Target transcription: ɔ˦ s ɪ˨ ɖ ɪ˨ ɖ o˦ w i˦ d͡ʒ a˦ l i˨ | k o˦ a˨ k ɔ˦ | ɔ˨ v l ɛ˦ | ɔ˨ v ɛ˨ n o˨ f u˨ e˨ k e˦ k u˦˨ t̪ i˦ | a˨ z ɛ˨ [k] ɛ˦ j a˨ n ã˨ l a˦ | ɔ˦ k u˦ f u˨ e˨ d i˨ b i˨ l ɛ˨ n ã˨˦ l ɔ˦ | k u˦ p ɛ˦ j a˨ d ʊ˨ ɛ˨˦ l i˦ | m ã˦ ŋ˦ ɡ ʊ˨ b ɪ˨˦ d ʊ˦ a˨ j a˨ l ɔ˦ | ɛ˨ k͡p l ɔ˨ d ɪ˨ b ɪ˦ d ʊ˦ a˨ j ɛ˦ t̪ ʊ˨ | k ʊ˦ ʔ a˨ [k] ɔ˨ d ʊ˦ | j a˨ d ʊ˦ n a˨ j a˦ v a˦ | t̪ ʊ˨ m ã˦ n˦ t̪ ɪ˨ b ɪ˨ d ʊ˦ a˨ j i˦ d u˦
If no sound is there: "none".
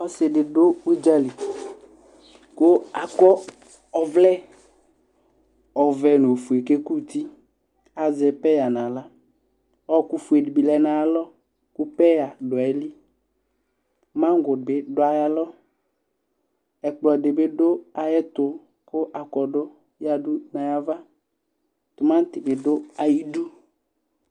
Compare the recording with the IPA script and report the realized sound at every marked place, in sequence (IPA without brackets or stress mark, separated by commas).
p, k